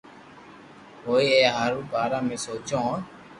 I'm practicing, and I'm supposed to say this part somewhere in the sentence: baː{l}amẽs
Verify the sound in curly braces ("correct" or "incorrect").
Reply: incorrect